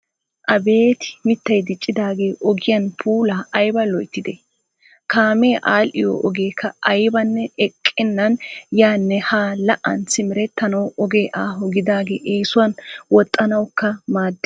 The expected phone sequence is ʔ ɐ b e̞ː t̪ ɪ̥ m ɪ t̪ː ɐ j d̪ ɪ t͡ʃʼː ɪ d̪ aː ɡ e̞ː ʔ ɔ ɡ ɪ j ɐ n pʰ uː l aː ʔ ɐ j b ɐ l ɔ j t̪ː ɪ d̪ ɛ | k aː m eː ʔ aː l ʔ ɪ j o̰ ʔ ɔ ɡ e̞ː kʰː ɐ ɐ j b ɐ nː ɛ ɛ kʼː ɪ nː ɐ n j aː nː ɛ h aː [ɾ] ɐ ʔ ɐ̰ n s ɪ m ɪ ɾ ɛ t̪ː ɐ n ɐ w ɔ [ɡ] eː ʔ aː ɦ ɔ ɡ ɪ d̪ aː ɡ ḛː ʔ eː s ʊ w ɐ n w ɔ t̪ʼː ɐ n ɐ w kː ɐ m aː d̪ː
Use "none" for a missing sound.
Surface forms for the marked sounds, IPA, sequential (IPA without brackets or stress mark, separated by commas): l, ɡ